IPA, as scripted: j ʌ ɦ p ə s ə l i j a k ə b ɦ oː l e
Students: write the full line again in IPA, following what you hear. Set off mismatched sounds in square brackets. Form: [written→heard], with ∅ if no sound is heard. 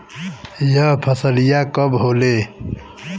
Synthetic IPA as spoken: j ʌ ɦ [p→pʰ] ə s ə l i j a k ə b ɦ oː l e